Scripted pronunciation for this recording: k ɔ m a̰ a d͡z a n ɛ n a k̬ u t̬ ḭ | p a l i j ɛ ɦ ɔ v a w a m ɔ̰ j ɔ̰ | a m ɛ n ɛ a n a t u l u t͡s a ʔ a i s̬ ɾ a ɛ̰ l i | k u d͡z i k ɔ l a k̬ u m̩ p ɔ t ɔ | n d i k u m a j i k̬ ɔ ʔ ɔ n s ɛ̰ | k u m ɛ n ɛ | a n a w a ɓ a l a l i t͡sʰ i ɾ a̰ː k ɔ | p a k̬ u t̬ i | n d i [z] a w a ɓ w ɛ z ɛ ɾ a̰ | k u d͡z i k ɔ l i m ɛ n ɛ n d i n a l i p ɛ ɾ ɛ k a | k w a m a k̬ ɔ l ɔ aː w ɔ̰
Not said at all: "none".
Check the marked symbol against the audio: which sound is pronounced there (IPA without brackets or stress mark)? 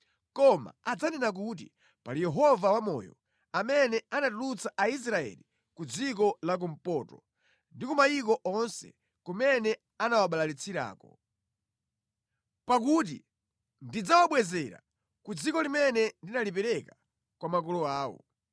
d͡z